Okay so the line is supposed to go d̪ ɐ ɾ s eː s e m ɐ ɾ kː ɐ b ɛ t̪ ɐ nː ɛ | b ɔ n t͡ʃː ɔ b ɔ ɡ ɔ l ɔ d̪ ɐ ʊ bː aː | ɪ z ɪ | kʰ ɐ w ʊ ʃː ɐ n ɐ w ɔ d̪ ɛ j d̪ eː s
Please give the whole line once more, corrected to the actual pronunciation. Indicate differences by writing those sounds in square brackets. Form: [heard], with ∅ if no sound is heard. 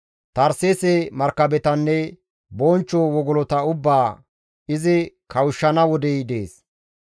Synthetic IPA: [t̪] ɐ ɾ s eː s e m ɐ ɾ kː ɐ b ɛ t̪ ɐ nː ɛ | b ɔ n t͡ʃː ɔ [w] ɔ ɡ ɔ l ɔ [t̪] ɐ ʊ bː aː | ɪ z ɪ | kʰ ɐ w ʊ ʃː ɐ n ɐ w ɔ d̪ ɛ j d̪ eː s